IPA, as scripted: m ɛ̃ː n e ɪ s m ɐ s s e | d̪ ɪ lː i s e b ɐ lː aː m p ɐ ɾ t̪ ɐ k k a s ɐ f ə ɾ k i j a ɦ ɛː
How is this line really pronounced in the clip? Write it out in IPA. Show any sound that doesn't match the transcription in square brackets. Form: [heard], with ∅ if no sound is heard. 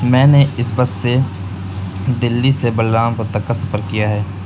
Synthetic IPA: m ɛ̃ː n e ɪ s [b] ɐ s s e | d̪ ɪ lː i s e b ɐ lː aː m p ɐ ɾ t̪ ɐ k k a s ɐ f ə ɾ k i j a ɦ ɛː